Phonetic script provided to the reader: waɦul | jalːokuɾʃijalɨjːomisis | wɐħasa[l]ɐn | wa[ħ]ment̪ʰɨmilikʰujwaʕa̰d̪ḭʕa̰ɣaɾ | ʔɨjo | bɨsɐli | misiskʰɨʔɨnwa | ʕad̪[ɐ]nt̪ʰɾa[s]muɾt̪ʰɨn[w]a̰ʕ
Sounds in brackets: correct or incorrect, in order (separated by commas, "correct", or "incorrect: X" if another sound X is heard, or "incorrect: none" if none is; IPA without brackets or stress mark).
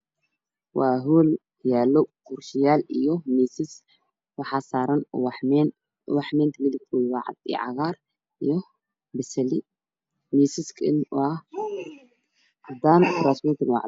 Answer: incorrect: ɾ, correct, incorrect: a, correct, correct